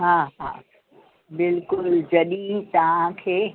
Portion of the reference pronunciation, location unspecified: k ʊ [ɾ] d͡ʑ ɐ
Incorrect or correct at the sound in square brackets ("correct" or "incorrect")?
incorrect